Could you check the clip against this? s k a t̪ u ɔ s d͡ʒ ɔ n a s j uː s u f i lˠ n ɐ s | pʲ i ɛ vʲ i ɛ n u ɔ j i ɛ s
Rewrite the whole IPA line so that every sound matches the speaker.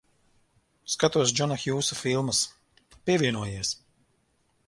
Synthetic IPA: s k a t̪ u ɔ s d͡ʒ ɔ n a x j uː s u f i lˠ m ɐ s | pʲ i ɛ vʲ i ɛ n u ɔ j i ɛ s

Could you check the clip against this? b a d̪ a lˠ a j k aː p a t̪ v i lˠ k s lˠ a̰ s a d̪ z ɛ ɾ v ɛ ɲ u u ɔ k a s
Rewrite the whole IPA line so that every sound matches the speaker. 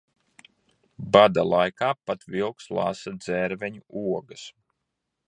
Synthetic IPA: b a d̪ a lˠ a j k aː p a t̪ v i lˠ k s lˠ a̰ s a d̪ z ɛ ɾ v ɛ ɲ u u ɔ ɡ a s

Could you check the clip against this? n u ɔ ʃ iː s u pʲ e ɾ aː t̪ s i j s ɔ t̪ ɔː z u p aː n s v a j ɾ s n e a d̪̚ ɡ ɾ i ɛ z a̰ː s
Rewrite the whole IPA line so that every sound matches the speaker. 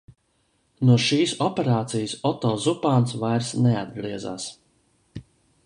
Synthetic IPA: n u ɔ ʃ iː s ɔ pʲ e ɾ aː t̪ s i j s ɔ t̪ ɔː z u p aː n s v a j ɾ s n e a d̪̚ ɡ ɾ i ɛ z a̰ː s

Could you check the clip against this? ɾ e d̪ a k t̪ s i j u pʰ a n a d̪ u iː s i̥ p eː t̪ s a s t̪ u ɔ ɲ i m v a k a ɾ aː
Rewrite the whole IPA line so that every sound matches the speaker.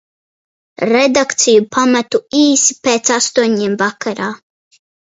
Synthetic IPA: ɾ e d̪ a k t̪ s i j u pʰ a m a t̪ u iː s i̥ p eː t̪ s a s t̪ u ɔ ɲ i m v a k a ɾ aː

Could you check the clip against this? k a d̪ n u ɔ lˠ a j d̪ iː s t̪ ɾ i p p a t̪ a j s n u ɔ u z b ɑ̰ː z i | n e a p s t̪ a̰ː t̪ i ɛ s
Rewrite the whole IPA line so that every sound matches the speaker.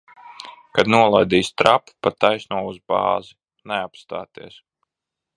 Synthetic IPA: k a d̪ n u ɔ lˠ a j d̪ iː s t̪ ɾ a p p a t̪ a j s n u ɔ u z b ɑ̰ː z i | n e a p s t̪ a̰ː t̪ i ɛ s

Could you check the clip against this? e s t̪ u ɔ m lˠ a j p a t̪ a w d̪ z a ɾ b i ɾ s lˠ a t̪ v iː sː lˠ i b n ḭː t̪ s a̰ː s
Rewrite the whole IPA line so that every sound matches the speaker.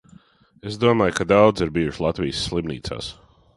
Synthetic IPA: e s d̪ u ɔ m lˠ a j k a d̪ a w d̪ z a ɾ b i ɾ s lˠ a t̪ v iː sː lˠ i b n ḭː t̪ s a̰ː s

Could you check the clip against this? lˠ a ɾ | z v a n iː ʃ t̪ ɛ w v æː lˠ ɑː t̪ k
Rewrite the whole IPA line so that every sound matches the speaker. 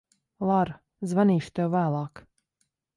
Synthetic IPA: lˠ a ɾ | z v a n iː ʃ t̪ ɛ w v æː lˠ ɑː k

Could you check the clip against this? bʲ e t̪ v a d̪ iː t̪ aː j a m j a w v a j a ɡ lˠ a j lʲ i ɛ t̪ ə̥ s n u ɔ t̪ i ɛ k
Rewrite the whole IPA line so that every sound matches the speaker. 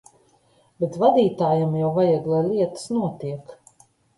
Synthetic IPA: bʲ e t̪ v a d̪ iː t̪ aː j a m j a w v a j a ɡ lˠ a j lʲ i ɛ t̪ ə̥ s n u ɔ t̪ i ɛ k

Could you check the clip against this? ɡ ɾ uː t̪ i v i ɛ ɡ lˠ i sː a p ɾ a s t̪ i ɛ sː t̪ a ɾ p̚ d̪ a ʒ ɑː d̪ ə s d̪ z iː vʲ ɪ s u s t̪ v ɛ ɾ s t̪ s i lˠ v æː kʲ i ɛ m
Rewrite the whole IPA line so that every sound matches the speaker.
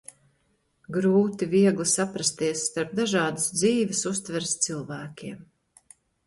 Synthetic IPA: ɡ ɾ uː t̪ i v i ɛ ɡ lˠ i s a p ɾ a s t̪ i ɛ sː t̪ a ɾ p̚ d̪ a ʒ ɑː d̪ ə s d̪ z iː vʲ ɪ s u s t̪ v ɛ ɾ s t̪ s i lˠ v æː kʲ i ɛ m

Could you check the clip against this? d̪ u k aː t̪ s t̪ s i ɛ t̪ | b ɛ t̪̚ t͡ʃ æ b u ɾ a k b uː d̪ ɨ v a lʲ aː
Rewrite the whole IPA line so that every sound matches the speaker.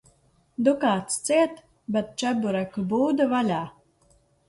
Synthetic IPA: d̪ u k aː t̪ s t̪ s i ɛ t̪ | b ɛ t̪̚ t͡ʃ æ b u ɾ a k b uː d̪ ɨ v a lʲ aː

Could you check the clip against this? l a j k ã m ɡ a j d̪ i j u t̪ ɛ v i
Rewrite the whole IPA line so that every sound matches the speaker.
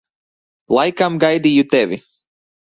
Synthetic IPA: l a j k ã m ɡ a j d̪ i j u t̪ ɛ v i

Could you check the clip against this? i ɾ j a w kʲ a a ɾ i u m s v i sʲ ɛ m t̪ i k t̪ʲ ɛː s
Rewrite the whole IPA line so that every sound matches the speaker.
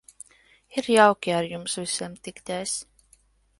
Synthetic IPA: i ɾ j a w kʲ i a ɾ j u m s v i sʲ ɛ m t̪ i k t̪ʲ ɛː s

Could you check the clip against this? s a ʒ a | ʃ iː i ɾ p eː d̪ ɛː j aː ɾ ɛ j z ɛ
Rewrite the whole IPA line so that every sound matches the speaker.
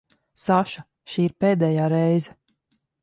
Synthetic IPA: s a ʃ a | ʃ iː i ɾ p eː d̪ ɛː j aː ɾ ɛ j z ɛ

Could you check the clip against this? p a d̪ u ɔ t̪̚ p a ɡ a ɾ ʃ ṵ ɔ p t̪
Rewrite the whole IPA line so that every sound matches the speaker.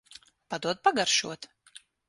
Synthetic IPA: p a d̪ u ɔ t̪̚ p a ɡ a ɾ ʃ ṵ ɔ t̪

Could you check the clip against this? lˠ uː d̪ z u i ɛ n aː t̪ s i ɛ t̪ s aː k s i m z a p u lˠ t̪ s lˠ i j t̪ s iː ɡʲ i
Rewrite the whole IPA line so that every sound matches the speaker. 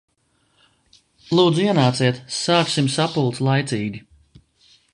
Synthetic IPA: lˠ uː d̪ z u i ɛ n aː t̪ s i ɛ t̪ s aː k s i m s a p u lˠ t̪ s lˠ a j t̪ s iː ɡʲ i

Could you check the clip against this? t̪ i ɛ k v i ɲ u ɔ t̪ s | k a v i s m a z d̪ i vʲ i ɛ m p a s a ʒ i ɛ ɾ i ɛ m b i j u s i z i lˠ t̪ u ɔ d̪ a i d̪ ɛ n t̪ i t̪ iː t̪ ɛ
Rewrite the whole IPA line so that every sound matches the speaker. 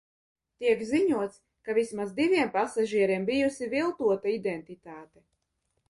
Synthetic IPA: t̪ i ɛ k z i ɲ u ɔ t̪ s | k a v i s m a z d̪ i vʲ i ɛ m p a s a ʒ i ɛ ɾ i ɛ m b i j u s i v i lˠ t̪ u ɔ t̪ a i d̪ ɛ n t̪ i t̪ aː t̪ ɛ

